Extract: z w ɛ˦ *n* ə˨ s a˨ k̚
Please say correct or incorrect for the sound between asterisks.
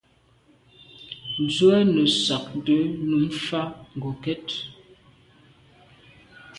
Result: correct